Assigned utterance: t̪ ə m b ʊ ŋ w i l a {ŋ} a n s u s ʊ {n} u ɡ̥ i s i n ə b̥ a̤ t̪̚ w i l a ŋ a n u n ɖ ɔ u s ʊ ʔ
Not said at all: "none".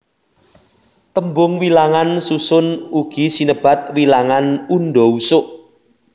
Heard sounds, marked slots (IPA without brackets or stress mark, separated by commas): ŋ, n